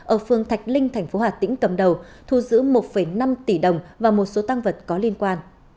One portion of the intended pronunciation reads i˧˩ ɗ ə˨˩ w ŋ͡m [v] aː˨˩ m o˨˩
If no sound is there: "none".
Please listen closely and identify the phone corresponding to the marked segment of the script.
v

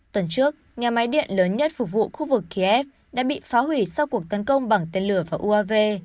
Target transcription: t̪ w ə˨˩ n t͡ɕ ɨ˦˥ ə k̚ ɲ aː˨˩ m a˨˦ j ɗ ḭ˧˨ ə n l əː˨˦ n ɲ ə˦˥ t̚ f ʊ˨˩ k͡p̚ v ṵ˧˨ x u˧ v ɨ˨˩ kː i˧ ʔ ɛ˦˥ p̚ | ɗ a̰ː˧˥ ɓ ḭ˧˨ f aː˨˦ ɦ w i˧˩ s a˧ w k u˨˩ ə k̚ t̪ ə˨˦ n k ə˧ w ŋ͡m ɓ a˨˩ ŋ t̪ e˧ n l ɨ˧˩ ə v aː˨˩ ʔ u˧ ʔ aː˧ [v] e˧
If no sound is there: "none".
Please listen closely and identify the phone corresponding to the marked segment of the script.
v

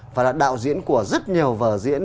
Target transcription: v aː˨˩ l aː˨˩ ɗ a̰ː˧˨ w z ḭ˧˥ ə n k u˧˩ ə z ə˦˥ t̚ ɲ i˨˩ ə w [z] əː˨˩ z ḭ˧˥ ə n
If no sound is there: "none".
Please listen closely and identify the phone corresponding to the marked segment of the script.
v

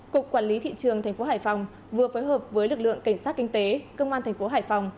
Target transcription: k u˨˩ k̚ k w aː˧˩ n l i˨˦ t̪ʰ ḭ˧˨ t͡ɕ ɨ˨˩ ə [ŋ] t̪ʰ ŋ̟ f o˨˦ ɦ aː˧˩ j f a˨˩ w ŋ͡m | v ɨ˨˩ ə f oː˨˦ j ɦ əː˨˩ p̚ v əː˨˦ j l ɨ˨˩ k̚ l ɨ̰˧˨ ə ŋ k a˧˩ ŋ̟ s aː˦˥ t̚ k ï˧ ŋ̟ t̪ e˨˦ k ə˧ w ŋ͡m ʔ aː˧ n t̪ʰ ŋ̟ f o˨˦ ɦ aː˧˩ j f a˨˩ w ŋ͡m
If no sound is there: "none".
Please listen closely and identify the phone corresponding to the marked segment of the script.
ŋ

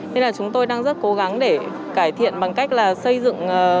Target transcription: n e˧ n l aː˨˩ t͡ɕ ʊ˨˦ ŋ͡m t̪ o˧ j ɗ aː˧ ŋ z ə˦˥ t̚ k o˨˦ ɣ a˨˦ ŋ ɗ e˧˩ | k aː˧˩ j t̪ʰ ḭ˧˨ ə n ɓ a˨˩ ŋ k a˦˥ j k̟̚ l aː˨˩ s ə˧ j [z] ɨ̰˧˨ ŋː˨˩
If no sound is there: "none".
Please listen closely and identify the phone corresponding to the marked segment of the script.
z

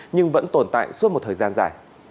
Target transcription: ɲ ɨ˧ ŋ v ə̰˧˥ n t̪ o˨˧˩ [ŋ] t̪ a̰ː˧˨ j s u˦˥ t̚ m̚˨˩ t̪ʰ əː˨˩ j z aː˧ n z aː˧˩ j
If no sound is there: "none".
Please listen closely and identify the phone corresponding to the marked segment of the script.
n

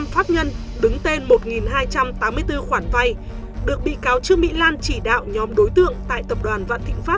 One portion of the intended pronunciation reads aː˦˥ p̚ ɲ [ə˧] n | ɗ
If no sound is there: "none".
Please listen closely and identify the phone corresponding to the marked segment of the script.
ə˧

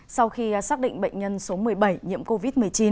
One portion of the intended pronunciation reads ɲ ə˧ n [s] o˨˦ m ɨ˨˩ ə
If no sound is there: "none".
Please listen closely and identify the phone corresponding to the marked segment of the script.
s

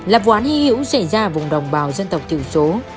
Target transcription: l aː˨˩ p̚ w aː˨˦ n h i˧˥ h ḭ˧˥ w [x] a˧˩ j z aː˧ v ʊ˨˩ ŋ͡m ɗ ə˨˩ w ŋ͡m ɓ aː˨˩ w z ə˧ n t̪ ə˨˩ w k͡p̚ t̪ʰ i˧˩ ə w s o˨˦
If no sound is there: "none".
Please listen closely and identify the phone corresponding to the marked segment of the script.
s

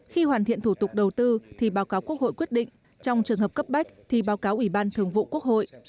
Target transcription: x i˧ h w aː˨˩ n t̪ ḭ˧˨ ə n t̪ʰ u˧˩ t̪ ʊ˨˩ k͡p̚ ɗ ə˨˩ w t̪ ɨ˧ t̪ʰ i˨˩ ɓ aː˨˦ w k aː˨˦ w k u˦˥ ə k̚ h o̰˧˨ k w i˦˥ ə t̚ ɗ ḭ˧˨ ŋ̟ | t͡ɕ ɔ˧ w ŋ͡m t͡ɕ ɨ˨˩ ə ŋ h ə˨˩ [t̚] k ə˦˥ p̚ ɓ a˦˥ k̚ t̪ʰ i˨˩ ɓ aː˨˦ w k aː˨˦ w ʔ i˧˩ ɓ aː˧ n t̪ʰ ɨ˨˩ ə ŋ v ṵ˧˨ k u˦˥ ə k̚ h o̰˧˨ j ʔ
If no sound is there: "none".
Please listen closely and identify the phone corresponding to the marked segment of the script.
p̚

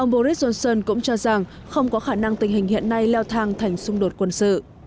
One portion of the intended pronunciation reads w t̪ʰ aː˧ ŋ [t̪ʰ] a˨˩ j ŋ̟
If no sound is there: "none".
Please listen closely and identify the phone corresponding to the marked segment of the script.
t̪ʰ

